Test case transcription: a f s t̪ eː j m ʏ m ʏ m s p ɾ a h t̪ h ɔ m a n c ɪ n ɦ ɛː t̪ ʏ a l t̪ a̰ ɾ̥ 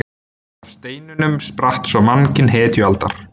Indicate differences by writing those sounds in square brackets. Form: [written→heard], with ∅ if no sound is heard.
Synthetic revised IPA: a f s t̪ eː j [m→n] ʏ [m→n] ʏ m s p ɾ a h t̪ [h→s] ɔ m a n c ɪ n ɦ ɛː t̪ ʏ a l t̪ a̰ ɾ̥